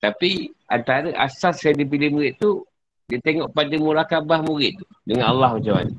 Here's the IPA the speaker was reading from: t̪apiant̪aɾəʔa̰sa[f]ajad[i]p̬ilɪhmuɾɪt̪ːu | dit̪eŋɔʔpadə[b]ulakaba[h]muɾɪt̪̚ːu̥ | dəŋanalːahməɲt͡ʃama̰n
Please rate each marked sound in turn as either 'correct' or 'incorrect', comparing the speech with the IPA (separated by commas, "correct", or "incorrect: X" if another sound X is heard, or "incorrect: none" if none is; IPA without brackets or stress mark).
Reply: incorrect: s, correct, incorrect: m, correct